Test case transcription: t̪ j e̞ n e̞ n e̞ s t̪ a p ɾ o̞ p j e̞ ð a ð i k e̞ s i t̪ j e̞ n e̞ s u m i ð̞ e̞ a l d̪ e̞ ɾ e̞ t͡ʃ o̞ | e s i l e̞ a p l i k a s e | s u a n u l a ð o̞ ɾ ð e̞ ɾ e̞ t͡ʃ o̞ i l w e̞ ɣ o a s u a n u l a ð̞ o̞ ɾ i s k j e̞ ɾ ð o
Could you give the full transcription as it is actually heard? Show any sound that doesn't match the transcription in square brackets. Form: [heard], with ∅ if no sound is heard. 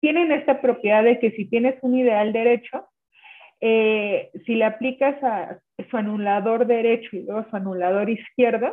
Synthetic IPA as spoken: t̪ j e̞ n e̞ n e̞ s t̪ a p ɾ o̞ p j e̞ ð a ð [e] k e̞ s i t̪ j e̞ n e̞ s u [n] i ð̞ e̞ a l d̪ e̞ ɾ e̞ t͡ʃ o̞ | e s i l e̞ a p l i k a s [a] | s u a n u l a ð o̞ ɾ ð e̞ ɾ e̞ t͡ʃ o̞ i l w e̞ ɣ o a s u a n u l a ð̞ o̞ ɾ i s k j e̞ ɾ ð o